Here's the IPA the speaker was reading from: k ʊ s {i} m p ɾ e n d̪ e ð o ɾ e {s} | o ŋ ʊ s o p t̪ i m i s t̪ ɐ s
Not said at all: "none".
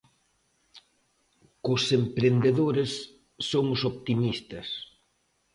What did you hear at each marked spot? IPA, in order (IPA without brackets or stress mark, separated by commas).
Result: e, sː